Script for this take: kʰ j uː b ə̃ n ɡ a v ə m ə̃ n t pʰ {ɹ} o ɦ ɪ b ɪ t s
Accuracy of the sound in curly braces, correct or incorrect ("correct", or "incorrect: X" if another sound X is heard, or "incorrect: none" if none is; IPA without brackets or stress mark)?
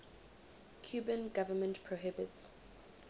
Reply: correct